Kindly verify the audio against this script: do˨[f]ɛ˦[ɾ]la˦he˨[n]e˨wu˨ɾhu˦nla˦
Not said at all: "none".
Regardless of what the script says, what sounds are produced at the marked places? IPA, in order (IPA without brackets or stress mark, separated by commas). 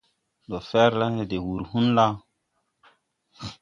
f, ɾ, d